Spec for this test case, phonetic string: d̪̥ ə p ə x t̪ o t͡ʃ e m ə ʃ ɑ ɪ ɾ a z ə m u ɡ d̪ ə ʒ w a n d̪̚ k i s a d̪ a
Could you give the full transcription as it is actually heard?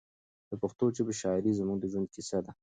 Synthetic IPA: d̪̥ ə p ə x t̪ o t͡ʃ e b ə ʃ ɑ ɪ ɾ i z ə m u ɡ d̪ ə ʒ w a n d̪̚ k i s a d̪ a